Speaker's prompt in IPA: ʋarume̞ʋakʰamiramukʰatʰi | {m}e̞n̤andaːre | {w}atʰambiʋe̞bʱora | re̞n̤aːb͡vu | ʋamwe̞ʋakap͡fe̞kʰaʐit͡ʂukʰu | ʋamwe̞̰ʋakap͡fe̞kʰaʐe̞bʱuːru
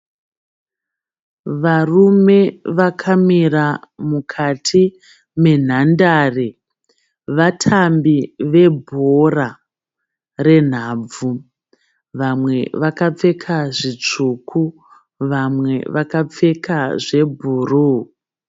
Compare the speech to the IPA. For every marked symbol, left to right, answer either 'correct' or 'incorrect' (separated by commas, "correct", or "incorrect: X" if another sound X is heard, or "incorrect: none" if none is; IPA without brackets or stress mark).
correct, incorrect: ʋ